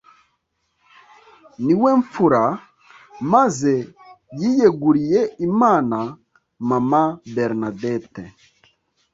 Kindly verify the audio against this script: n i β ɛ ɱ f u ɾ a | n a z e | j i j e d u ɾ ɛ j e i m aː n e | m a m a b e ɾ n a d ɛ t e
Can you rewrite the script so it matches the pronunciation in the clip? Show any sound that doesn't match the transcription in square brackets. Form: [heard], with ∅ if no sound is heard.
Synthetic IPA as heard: n i [w] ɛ ɱ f u ɾ a | [m] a z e | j i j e [ɡ] u ɾ [i] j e i m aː n [a] | m a m a b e ɾ n a d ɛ t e